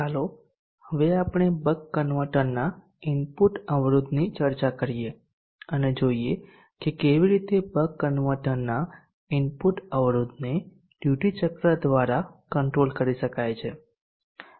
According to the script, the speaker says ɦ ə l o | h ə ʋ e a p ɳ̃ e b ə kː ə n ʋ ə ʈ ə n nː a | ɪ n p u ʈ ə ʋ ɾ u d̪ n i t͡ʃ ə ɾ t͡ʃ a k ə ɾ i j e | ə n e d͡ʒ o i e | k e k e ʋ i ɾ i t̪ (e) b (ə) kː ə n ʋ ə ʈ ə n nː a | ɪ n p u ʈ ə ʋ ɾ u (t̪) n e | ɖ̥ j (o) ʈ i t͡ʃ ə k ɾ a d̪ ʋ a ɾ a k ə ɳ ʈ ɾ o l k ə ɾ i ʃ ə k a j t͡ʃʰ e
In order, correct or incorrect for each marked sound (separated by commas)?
correct, correct, incorrect, incorrect